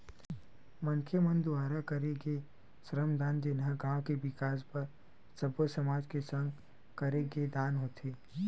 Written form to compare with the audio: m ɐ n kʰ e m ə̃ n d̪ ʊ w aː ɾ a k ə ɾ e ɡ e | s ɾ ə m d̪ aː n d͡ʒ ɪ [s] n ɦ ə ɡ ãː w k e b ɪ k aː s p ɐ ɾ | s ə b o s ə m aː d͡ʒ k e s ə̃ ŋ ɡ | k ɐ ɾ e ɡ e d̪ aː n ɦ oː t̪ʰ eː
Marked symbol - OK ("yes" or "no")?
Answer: no